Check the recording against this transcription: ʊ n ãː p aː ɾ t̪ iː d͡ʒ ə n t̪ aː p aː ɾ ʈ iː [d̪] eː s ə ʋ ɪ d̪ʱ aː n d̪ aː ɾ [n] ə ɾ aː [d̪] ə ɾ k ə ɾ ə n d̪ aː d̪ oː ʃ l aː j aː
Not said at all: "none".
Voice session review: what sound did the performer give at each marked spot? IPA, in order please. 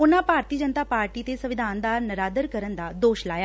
t̪, n, d̪

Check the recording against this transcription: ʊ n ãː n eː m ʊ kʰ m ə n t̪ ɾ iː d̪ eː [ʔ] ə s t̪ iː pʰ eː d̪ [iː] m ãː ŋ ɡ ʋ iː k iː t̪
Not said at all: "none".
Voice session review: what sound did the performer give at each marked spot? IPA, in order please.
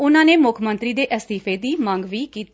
ʔ, iː

